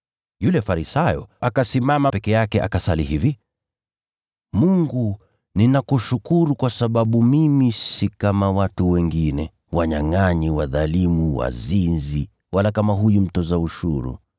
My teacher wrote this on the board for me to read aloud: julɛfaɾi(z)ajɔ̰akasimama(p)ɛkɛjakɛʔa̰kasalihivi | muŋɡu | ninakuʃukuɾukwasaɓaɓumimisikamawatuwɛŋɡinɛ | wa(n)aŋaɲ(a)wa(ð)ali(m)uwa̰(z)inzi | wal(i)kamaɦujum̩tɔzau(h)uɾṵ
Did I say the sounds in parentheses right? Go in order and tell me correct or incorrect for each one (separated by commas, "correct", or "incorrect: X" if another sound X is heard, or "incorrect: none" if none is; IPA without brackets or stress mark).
incorrect: s, correct, incorrect: ɲ, incorrect: i, correct, correct, correct, incorrect: a, incorrect: ʃ